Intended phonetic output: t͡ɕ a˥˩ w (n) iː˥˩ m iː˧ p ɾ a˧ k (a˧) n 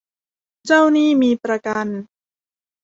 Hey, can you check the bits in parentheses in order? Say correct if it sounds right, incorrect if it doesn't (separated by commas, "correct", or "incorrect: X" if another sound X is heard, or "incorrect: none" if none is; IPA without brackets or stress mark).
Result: correct, correct